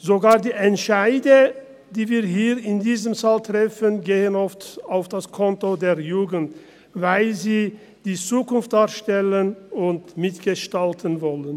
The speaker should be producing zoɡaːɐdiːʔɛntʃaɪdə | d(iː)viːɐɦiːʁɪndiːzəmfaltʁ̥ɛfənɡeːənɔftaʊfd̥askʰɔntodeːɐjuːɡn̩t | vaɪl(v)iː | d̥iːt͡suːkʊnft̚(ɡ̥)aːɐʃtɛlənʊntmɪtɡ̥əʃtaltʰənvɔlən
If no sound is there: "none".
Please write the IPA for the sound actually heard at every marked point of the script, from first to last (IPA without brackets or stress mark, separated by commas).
iː, z, d̥